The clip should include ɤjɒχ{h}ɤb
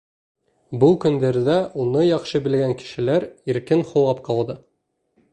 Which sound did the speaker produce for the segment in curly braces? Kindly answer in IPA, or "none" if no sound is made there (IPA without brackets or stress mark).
ʃ